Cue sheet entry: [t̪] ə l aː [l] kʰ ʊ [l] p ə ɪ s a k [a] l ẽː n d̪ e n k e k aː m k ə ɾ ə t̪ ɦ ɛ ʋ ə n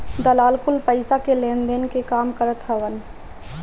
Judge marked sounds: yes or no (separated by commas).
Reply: no, yes, yes, no